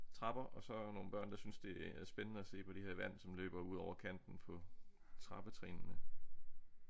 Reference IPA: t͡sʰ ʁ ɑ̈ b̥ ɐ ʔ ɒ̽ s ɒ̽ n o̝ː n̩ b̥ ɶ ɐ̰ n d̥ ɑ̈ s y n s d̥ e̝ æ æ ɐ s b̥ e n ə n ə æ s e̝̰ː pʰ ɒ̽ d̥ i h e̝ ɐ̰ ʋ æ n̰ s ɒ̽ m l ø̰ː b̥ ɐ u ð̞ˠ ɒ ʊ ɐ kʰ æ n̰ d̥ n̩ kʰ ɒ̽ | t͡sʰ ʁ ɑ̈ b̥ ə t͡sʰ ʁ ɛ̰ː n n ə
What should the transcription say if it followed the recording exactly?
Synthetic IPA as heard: t͡sʰ ʁ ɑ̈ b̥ ɐ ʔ ɒ̽ s ɒ̽ n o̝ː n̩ b̥ ɶ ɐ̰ n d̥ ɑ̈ s y n s d̥ e̝ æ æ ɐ s b̥ e n ə n ə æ s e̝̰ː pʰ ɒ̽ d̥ i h e̝ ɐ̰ ʋ æ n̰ s ɒ̽ m l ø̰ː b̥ ɐ u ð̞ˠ ɒ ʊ ɐ kʰ æ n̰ d̥ n̩ pʰ ɒ̽ | t͡sʰ ʁ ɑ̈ b̥ ə t͡sʰ ʁ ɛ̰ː n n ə